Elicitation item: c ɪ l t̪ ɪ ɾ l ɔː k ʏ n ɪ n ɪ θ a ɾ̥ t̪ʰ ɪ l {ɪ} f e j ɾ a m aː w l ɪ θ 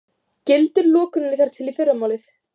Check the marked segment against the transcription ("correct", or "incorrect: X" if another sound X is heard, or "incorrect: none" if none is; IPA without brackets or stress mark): incorrect: i